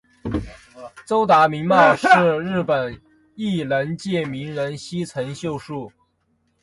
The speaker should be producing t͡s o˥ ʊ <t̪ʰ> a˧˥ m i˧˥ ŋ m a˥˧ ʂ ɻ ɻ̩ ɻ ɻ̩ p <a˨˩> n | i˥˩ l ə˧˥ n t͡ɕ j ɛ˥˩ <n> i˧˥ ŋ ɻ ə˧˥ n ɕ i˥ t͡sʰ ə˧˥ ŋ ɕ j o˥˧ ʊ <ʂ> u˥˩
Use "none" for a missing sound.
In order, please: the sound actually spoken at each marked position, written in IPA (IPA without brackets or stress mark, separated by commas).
t̪, ə˨˩, m, ʂ